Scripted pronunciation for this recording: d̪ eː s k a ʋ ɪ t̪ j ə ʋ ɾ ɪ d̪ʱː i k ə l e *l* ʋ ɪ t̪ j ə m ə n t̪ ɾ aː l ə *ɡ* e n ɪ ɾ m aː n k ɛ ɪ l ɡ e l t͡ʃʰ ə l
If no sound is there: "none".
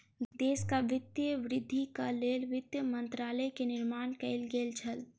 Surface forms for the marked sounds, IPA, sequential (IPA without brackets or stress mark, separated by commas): l, k